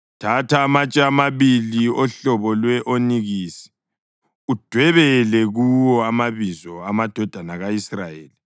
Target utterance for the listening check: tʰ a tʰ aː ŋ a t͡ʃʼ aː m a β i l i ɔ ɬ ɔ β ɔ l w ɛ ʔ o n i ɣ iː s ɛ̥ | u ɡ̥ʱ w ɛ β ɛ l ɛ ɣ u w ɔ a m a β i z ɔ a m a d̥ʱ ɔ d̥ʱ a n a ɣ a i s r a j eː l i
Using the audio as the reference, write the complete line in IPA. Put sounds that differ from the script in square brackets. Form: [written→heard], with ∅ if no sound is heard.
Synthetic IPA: tʰ a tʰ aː [ŋ→m] a t͡ʃʼ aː m a β i l i ɔ ɬ ɔ β ɔ l w ɛ ʔ o n i ɣ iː s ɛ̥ | u [ɡ̥ʱ→d̥ʱ] w ɛ β ɛ l ɛ ɣ u w ɔ a m a β i z ɔ a m a d̥ʱ ɔ d̥ʱ a n a ɣ a i s r a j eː l i